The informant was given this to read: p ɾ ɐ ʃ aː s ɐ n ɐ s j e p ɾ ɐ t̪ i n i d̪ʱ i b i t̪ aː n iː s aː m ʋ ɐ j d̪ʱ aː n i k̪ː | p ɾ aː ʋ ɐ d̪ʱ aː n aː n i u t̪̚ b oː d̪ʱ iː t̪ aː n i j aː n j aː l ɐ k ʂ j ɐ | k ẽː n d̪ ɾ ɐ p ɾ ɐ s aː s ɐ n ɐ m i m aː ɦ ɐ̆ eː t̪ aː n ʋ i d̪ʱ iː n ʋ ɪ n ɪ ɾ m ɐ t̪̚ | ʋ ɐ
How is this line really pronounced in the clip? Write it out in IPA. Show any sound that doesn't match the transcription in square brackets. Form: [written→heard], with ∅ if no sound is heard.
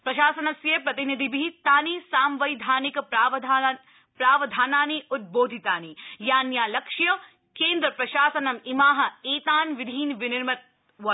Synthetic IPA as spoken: p ɾ ɐ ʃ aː s ɐ n ɐ s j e p ɾ ɐ t̪ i n i d̪ʱ i b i t̪ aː n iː s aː m ʋ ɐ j d̪ʱ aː n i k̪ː | p ɾ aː ʋ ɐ d̪ʱ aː n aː n i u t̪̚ b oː d̪ʱ [iː→i] t̪ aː n i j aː n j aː l ɐ k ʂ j ɐ | k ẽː n d̪ ɾ ɐ p ɾ ɐ [s→ʃ] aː s ɐ n ɐ m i m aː ɦ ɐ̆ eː t̪ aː n ʋ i d̪ʱ iː n ʋ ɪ n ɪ ɾ m ɐ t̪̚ | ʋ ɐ

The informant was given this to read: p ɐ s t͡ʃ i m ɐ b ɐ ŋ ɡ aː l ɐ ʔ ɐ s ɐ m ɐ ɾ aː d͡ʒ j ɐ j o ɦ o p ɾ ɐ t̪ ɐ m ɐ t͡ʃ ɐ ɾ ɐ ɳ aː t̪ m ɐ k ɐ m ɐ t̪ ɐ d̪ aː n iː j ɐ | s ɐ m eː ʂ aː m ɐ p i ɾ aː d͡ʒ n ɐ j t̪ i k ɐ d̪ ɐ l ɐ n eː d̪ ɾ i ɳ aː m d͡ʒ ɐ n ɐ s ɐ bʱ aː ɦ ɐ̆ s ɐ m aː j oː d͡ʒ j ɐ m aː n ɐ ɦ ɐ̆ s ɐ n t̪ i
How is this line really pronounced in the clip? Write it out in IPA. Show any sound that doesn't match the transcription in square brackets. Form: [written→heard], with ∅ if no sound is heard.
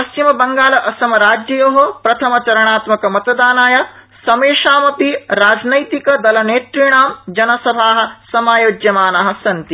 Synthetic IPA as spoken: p ɐ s t͡ʃ i m ɐ b ɐ ŋ ɡ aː l ɐ ʔ ɐ s ɐ m ɐ ɾ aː d͡ʒ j ɐ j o ɦ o p ɾ ɐ [t̪→t̪ʰ] ɐ m ɐ t͡ʃ ɐ ɾ ɐ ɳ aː t̪ m ɐ k ɐ m ɐ t̪ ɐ d̪ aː n [iː→aː] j ɐ | s ɐ m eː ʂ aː m ɐ p i ɾ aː d͡ʒ n ɐ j t̪ i k ɐ d̪ ɐ l ɐ n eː [d̪→t̪] ɾ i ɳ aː m d͡ʒ ɐ n ɐ s ɐ bʱ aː ɦ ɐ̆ s ɐ m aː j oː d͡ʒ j ɐ m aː n ɐ ɦ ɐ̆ s ɐ n t̪ i

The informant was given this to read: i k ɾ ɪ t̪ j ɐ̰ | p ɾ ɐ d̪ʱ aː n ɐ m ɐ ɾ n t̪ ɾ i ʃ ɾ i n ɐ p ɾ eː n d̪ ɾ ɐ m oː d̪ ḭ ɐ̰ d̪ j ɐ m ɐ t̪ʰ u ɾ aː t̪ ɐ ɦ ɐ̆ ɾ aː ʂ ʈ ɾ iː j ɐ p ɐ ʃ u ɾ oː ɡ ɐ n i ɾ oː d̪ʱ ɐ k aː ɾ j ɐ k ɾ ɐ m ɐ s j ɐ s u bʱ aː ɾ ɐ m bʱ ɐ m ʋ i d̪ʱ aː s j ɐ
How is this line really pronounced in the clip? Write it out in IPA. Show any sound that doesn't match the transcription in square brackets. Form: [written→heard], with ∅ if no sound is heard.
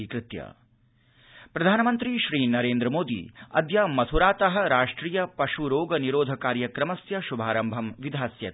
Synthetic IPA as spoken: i k ɾ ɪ t̪ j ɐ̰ | p ɾ ɐ d̪ʱ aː n ɐ m ɐ [ɾ→∅] n t̪ ɾ i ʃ ɾ [i→iː] n ɐ [p→∅] ɾ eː n d̪ ɾ ɐ m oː d̪ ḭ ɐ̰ d̪ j ɐ m ɐ t̪ʰ u ɾ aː t̪ ɐ ɦ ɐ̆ ɾ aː ʂ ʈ ɾ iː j ɐ p ɐ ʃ u ɾ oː ɡ ɐ n i ɾ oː d̪ʱ ɐ k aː ɾ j ɐ k ɾ ɐ m ɐ s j ɐ [s→ʃ] u bʱ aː ɾ ɐ m bʱ ɐ m ʋ i d̪ʱ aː s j ɐ

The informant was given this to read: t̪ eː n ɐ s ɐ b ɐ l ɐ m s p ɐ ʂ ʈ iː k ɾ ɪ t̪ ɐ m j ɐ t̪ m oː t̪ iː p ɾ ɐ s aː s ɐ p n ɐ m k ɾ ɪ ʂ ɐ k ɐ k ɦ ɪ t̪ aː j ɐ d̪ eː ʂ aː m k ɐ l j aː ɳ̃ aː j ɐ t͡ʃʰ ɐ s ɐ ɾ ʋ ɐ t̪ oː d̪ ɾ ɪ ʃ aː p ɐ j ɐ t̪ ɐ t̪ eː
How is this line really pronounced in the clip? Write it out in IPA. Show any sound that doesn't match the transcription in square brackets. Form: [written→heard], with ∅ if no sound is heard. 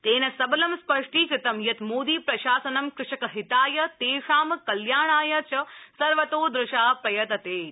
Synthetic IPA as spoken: t̪ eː n ɐ s ɐ b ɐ l ɐ m s p ɐ ʂ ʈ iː k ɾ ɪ t̪ ɐ m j ɐ t̪ m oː [t̪→d̪] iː p ɾ ɐ [s→ʃ] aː s ɐ [p→∅] n ɐ m k ɾ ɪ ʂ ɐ k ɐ [k→∅] ɦ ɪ t̪ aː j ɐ [d̪→t̪] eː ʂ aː m k ɐ l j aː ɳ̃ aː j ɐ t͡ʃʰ ɐ s ɐ ɾ ʋ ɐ t̪ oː d̪ ɾ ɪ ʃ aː p ɐ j ɐ t̪ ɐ t̪ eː

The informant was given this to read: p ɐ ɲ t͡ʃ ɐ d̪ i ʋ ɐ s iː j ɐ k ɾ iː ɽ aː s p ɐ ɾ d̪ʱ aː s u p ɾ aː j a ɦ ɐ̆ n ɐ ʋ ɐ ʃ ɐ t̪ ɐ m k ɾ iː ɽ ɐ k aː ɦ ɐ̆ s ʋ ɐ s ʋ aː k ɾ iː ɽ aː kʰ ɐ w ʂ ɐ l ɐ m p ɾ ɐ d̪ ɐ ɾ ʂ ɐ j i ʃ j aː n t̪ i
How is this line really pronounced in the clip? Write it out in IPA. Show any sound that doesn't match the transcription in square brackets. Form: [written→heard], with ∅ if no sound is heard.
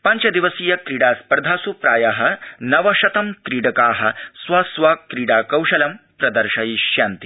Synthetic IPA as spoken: p ɐ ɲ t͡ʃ ɐ d̪ i ʋ ɐ s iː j ɐ k ɾ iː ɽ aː s p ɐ ɾ d̪ʱ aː s u p ɾ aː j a ɦ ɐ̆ n ɐ ʋ ɐ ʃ ɐ t̪ ɐ m k ɾ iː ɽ ɐ k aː ɦ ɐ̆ s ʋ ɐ s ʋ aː k ɾ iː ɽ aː [kʰ→k] ɐ w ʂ ɐ l ɐ m p ɾ ɐ d̪ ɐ ɾ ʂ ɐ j i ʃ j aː n t̪ i

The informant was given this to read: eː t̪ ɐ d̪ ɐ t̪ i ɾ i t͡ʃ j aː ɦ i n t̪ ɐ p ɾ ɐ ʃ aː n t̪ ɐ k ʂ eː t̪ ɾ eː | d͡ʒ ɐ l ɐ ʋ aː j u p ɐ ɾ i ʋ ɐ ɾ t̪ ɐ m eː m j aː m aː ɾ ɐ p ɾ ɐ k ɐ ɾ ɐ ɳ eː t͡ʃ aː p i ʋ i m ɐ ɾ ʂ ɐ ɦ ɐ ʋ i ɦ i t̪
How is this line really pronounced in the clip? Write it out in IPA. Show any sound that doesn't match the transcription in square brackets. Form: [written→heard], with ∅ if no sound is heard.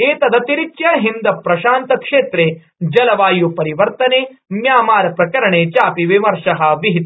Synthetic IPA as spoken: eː t̪ ɐ d̪ ɐ t̪ i ɾ i t͡ʃ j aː ɦ i n [t̪→d̪] ɐ p ɾ ɐ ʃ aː n t̪ ɐ k ʂ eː t̪ ɾ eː | d͡ʒ ɐ l ɐ ʋ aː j u p ɐ ɾ i ʋ ɐ ɾ t̪ ɐ [m→n] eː m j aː m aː ɾ ɐ p ɾ ɐ k ɐ ɾ ɐ ɳ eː t͡ʃ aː p i ʋ i m ɐ ɾ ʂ ɐ ɦ ɐ ʋ i ɦ i t̪

